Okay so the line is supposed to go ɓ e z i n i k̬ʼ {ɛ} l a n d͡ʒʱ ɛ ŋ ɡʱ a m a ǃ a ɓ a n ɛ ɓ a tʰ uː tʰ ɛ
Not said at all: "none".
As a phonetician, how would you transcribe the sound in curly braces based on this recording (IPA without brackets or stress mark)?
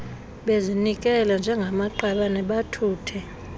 ɛ